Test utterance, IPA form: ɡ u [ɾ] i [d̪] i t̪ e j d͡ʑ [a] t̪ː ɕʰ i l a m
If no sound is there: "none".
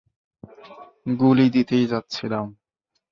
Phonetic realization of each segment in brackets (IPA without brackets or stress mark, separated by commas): l, d̪, a